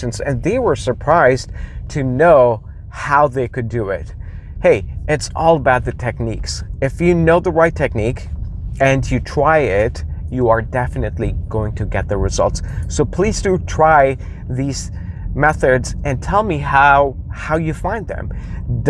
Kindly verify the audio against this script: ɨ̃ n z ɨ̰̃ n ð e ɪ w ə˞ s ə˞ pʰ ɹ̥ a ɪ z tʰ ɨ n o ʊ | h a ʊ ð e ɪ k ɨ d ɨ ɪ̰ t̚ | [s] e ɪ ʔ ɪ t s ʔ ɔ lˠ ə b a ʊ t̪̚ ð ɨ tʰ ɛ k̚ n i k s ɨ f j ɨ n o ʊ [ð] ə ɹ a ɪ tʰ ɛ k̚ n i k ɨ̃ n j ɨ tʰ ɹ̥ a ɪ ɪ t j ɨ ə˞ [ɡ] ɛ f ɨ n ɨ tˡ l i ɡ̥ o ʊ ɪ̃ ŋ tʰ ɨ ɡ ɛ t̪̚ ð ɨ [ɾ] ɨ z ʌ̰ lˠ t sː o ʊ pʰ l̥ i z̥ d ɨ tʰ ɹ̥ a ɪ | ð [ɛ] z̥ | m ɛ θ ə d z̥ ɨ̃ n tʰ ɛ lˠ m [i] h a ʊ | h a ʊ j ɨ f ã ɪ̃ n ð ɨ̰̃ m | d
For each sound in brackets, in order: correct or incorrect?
incorrect, correct, incorrect, incorrect, incorrect, correct

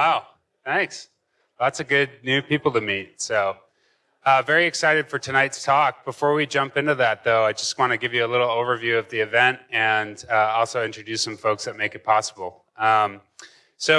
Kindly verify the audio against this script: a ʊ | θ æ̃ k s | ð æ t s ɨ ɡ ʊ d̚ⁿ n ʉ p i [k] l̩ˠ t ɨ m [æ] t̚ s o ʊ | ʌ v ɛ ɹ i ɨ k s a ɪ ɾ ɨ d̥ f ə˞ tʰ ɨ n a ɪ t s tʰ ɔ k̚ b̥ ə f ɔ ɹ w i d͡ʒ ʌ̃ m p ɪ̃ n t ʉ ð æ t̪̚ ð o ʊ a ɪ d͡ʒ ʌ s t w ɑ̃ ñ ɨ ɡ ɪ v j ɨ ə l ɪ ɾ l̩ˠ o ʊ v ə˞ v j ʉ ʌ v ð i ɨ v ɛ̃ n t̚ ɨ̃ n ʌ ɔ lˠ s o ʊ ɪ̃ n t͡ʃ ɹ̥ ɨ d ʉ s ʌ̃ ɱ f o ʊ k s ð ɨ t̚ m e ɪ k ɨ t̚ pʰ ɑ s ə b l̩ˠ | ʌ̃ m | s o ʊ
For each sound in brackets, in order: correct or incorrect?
incorrect, incorrect

